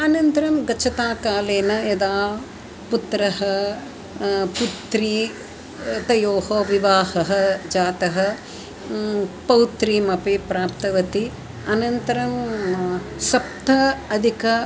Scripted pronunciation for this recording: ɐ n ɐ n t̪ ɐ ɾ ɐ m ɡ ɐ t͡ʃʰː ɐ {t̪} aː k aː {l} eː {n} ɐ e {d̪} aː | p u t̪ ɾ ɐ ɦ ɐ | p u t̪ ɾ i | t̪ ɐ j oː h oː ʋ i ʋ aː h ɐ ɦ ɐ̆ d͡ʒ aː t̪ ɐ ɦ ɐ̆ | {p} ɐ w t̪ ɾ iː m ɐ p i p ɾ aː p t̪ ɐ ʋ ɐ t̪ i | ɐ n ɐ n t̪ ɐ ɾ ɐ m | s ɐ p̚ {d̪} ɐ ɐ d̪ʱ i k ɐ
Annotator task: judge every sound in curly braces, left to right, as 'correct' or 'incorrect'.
correct, correct, correct, correct, correct, incorrect: t̪

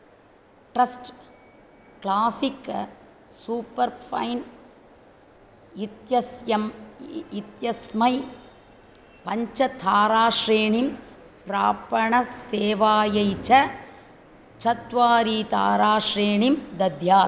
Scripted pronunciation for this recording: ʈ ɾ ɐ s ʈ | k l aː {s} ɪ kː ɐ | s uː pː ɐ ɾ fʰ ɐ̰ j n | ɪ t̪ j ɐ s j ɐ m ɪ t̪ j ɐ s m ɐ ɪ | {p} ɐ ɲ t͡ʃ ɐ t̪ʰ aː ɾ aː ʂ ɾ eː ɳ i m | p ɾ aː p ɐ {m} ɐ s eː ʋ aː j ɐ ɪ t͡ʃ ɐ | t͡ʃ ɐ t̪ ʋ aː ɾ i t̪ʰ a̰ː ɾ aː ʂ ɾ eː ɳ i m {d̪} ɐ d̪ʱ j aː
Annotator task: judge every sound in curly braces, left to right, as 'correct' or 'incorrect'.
correct, correct, incorrect: ɳ, correct

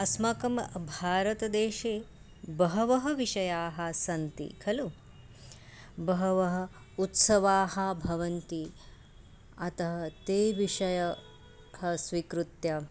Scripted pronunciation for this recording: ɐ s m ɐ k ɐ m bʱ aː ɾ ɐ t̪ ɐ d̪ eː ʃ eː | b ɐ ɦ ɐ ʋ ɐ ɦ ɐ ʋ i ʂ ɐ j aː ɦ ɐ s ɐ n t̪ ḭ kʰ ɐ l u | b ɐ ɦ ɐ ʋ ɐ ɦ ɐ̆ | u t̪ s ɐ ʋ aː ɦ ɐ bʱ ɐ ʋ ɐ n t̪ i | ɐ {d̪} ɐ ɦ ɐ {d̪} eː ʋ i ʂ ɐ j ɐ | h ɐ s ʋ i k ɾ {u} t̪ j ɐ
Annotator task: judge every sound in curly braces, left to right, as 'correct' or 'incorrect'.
incorrect: t̪, incorrect: t̪, correct

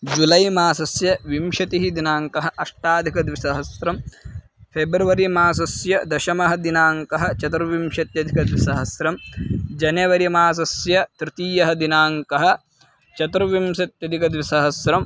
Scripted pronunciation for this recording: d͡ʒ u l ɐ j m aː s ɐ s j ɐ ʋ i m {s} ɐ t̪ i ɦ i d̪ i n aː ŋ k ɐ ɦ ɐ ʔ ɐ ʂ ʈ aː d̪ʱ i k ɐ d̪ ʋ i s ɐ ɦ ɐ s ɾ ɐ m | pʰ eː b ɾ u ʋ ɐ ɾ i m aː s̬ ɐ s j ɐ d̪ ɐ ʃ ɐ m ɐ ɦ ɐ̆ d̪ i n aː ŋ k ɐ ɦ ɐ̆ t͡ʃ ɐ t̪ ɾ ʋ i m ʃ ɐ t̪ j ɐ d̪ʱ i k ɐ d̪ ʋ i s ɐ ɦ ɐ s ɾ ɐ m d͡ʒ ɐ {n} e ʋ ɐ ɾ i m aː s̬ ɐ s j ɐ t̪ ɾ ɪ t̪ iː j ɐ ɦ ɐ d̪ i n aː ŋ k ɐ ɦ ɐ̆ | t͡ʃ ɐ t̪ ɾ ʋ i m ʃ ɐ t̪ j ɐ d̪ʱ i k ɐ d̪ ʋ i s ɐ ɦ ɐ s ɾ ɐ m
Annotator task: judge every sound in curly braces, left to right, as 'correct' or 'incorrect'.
incorrect: ʃ, correct

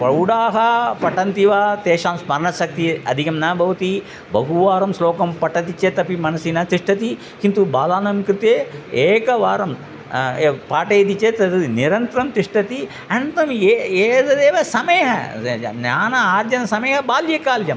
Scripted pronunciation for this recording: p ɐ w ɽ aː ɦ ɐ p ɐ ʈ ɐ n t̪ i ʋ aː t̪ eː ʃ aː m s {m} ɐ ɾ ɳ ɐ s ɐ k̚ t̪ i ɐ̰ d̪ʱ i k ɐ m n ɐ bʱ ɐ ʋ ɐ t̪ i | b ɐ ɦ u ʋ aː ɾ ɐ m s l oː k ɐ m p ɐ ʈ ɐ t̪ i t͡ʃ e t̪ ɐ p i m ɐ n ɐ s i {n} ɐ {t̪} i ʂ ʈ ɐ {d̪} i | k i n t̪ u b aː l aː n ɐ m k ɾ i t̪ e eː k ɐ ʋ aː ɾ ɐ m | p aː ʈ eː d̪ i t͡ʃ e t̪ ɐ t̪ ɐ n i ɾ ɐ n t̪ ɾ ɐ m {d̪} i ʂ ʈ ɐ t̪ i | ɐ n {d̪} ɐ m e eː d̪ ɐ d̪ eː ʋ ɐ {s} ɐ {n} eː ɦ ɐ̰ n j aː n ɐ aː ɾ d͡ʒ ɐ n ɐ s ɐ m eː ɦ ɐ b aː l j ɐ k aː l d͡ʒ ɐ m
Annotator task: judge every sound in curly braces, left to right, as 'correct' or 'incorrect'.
correct, correct, correct, incorrect: t̪, incorrect: t̪, incorrect: t̪, correct, incorrect: m

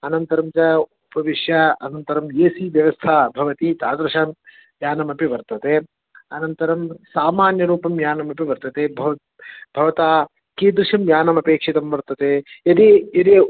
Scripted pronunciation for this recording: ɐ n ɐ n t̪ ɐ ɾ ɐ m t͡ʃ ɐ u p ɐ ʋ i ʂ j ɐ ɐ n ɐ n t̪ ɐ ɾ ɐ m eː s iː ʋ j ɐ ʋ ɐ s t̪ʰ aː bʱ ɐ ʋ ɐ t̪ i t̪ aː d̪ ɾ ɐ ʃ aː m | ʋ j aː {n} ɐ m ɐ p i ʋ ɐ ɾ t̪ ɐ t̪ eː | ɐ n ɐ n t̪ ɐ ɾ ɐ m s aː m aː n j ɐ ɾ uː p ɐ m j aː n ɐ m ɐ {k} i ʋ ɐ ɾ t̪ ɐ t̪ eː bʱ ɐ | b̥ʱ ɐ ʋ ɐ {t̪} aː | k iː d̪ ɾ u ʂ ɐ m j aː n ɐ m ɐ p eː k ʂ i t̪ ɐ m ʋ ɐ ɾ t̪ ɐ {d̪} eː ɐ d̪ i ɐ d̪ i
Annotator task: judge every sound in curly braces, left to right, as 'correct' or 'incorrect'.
correct, incorrect: p, correct, incorrect: t̪

